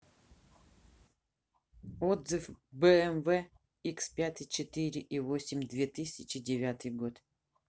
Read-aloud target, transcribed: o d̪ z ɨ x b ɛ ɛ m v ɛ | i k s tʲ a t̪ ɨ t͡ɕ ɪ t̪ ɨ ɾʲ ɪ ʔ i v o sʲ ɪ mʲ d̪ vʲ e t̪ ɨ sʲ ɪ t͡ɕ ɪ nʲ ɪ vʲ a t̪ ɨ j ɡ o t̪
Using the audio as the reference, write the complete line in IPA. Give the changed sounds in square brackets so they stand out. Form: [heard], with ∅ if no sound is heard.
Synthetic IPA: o d̪ z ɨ [f] b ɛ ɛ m v ɛ | i k s [pʲ] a t̪ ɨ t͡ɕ ɪ t̪ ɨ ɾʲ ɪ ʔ i v o sʲ ɪ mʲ d̪ vʲ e t̪ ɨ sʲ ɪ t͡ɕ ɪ [dʲ] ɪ vʲ a t̪ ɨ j ɡ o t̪